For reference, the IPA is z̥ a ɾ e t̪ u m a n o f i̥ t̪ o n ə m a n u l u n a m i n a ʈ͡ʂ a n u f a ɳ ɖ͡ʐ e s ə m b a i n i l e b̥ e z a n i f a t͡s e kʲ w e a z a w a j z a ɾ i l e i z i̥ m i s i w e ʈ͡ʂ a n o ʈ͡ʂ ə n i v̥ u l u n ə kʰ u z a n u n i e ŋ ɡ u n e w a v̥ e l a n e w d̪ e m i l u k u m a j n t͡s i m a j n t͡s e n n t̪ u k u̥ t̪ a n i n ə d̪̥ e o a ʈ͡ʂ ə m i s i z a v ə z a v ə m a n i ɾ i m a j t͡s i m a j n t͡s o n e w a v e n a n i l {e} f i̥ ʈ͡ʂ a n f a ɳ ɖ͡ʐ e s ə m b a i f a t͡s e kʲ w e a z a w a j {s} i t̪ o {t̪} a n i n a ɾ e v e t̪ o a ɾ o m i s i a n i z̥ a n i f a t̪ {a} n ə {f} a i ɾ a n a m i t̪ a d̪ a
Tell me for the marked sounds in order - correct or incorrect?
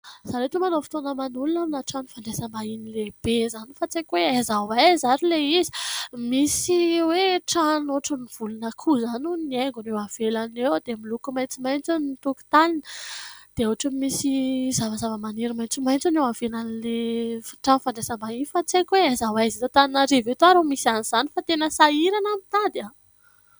correct, incorrect, correct, incorrect, incorrect

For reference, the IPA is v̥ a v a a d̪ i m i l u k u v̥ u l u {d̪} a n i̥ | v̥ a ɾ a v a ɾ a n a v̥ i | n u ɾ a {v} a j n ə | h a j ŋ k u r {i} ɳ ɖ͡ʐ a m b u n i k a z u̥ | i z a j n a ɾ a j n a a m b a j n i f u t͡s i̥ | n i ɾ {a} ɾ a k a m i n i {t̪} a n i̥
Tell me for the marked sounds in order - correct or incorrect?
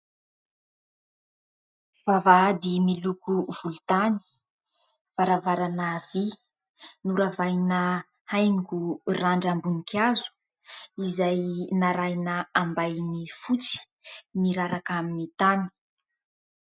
incorrect, correct, incorrect, correct, correct

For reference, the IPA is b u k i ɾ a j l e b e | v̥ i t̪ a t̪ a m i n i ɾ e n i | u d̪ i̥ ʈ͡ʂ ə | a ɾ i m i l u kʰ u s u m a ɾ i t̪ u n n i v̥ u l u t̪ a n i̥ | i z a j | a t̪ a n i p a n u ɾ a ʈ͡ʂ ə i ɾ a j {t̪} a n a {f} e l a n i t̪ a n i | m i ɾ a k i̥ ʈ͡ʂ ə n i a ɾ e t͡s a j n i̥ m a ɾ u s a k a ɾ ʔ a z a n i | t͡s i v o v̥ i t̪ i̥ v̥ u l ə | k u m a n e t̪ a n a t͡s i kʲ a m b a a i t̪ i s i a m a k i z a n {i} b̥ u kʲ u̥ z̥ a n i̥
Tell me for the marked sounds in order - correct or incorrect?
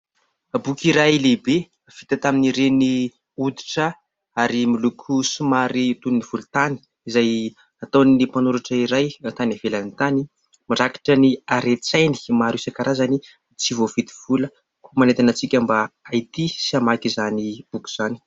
correct, incorrect, correct

